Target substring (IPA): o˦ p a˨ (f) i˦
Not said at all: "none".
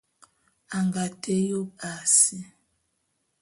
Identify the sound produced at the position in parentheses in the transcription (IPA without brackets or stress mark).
s